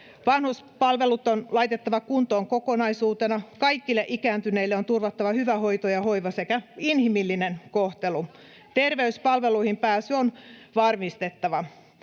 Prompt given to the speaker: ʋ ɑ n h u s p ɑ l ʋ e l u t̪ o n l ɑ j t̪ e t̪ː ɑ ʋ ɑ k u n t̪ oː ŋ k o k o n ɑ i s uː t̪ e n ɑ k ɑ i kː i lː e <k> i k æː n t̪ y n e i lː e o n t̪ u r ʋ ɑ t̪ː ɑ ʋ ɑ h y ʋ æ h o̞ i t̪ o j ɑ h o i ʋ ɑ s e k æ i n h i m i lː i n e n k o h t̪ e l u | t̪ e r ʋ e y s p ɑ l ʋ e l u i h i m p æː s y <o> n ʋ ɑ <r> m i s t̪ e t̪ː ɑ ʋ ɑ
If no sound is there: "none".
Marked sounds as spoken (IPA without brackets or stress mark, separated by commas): ʔ, o, r